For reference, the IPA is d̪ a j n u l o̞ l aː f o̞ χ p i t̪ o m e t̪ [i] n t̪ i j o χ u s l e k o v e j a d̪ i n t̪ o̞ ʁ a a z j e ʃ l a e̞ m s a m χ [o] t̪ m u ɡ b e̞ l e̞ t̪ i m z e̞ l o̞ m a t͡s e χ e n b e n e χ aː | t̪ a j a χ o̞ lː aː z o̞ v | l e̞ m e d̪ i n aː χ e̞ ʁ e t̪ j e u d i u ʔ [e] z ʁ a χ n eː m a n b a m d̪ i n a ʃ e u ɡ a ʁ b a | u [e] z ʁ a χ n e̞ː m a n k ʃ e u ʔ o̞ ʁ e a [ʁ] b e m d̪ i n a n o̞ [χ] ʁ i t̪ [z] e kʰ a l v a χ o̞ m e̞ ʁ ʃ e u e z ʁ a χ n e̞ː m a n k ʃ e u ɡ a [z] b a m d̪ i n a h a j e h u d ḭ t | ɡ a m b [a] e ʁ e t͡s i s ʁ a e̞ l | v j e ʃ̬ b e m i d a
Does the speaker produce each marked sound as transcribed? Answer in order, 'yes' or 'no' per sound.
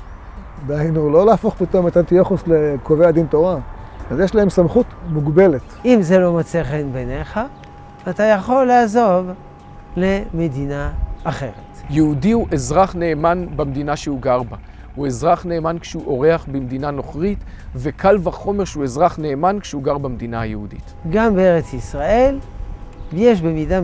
no, no, yes, yes, no, yes, no, no, no

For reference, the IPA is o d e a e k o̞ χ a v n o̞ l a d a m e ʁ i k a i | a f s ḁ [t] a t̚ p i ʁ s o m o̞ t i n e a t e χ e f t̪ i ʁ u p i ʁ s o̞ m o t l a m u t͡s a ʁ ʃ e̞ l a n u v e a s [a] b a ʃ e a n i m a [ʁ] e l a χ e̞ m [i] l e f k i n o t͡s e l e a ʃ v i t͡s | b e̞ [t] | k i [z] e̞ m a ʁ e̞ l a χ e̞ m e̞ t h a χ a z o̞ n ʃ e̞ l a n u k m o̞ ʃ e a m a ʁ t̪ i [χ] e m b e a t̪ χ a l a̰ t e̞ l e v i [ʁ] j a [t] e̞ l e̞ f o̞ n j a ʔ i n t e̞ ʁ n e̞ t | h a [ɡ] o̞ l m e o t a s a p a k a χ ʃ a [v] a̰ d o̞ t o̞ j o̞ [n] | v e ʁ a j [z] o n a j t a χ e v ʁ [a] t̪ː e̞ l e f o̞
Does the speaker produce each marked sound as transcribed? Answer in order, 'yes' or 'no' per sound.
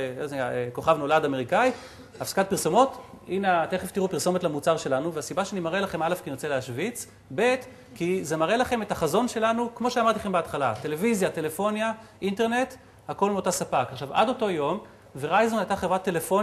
no, no, yes, no, yes, yes, yes, no, yes, no, yes, no, yes, yes

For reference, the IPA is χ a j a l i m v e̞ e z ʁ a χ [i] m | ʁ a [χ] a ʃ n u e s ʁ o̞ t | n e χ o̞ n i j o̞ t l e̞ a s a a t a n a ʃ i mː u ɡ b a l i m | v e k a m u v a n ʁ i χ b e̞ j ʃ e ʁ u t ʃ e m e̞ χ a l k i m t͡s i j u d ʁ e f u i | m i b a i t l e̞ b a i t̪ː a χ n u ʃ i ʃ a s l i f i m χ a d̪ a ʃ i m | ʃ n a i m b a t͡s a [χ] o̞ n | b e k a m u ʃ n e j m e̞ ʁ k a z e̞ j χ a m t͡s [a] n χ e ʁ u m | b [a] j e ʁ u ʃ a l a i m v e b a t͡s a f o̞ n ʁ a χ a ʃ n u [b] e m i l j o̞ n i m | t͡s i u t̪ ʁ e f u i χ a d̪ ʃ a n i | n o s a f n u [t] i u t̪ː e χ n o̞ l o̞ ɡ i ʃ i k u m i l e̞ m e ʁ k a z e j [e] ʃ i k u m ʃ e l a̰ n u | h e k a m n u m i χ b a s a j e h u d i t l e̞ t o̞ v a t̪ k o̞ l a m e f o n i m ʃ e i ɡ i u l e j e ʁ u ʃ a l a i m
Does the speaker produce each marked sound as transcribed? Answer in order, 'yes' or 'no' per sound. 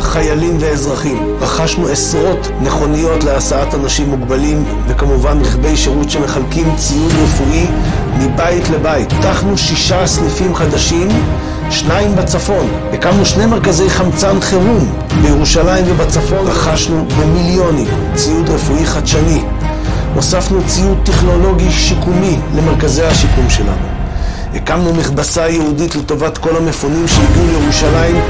yes, yes, no, yes, no, yes, no, no

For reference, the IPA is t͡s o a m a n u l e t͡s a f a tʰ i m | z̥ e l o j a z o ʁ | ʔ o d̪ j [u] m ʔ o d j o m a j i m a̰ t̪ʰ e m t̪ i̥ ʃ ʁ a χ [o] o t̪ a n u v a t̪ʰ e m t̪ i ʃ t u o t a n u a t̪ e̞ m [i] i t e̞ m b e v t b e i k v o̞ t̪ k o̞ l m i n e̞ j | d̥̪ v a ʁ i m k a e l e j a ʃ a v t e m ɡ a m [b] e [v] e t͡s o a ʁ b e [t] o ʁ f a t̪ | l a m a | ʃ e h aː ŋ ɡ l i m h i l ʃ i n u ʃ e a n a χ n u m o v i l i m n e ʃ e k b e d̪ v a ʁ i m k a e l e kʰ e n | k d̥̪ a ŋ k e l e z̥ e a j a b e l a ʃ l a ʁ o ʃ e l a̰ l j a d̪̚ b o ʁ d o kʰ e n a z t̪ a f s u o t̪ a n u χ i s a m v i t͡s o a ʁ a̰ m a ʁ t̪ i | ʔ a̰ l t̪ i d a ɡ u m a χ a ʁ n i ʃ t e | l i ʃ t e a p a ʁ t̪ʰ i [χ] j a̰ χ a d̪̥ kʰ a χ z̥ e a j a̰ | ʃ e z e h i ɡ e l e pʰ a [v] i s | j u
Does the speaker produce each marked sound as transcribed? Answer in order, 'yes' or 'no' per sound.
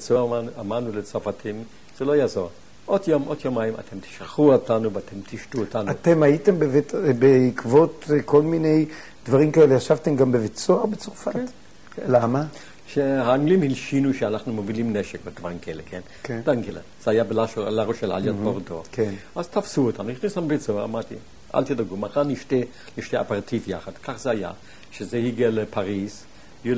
no, no, no, yes, yes, no, no, no

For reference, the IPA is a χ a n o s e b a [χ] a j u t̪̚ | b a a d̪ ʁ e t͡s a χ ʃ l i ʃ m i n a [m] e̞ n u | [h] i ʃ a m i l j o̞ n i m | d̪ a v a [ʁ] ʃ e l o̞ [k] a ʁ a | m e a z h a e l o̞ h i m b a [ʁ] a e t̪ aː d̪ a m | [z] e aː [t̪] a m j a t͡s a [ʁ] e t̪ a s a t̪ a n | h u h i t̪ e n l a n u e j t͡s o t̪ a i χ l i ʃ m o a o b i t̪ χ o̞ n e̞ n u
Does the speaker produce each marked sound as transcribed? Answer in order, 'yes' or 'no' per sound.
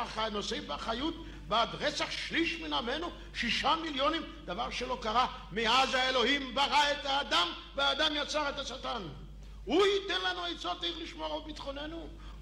yes, yes, no, yes, yes, yes, no, no, yes

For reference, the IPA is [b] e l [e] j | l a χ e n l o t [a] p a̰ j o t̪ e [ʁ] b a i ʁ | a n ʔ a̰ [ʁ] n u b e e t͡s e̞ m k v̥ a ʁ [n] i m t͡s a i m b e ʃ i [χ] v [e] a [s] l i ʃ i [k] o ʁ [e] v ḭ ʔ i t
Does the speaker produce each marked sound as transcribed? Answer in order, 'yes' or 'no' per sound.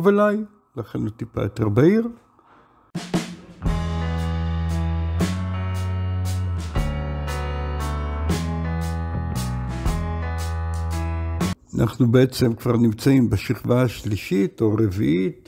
no, no, no, yes, no, yes, yes, no, no, no, yes

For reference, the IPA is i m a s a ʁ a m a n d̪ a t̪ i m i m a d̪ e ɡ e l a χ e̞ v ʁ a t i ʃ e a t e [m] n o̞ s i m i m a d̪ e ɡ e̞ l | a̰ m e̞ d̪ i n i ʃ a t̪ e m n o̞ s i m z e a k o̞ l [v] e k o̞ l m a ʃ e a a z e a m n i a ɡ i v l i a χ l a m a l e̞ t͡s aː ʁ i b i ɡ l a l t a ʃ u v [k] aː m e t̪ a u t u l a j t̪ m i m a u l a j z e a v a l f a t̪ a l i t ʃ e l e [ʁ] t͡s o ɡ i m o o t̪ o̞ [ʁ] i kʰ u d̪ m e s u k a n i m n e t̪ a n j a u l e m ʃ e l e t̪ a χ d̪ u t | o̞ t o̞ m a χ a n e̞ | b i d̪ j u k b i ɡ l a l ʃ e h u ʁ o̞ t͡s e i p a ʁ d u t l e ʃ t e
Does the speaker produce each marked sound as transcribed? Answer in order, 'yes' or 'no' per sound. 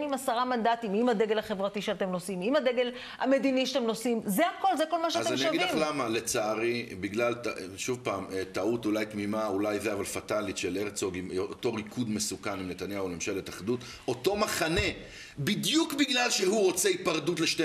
yes, no, no, yes, yes

